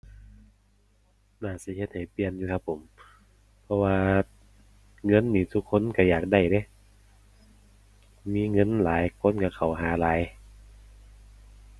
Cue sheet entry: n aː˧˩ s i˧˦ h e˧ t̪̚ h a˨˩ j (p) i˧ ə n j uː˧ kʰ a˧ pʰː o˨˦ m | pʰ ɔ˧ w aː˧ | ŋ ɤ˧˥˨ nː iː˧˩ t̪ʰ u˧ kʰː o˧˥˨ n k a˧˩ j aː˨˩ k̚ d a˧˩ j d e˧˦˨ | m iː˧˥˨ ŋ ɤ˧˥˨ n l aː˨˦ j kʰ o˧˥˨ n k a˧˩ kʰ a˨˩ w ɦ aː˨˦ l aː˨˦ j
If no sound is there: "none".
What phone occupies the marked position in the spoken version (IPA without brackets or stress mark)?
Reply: p